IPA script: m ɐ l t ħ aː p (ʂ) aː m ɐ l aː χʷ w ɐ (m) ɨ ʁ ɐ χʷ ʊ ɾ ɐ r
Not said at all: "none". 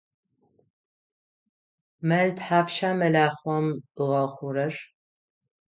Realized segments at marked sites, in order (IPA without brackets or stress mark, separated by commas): ʃ, m